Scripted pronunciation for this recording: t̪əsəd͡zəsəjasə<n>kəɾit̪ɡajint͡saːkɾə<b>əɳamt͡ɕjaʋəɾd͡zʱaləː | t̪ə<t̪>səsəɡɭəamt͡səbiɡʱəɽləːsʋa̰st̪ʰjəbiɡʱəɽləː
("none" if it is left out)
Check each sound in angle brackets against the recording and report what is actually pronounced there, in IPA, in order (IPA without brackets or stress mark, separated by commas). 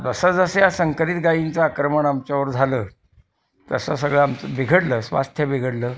ŋ, m, none